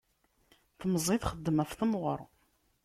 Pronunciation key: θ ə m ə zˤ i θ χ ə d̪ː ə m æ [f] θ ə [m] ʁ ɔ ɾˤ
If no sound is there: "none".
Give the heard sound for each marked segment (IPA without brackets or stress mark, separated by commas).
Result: f, m